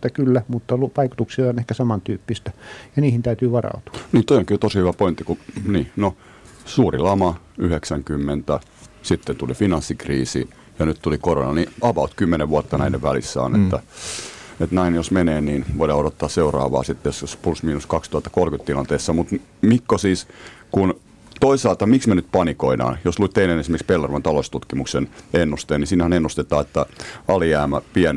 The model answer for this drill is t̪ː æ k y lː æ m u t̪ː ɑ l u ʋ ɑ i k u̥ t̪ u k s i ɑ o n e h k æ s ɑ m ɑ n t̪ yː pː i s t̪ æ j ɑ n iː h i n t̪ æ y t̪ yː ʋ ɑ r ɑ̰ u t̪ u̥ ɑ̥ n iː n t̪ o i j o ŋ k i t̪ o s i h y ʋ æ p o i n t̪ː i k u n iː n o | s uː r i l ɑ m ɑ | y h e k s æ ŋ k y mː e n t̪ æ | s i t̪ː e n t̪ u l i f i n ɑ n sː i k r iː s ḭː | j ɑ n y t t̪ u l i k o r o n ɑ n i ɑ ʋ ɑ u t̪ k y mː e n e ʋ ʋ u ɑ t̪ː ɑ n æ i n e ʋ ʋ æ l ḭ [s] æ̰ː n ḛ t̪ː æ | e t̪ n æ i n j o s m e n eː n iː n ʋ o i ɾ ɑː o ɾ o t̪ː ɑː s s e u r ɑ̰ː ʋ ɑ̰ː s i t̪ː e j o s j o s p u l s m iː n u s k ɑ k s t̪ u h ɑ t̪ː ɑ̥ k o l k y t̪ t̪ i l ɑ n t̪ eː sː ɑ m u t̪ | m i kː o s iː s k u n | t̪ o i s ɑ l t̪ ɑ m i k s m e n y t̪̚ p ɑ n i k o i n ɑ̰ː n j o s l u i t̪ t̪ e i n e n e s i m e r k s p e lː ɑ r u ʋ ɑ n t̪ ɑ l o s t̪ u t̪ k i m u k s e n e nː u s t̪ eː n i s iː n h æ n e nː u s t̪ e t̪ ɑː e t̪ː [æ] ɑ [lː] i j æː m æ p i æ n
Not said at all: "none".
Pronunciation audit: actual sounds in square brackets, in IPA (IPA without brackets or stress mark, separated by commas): sː, æ, l